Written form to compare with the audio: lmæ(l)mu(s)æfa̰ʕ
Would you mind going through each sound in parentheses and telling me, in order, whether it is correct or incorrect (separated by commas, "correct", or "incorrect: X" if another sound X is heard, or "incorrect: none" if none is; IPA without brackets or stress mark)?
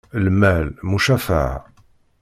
correct, incorrect: ʃ